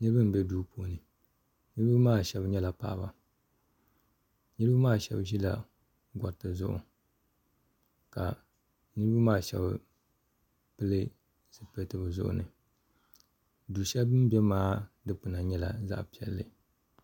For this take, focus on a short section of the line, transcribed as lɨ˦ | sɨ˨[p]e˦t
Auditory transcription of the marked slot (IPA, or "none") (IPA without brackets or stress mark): p